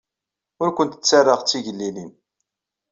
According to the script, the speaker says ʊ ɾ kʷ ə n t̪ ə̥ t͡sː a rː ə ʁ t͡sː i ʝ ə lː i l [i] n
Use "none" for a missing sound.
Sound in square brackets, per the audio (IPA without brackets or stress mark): i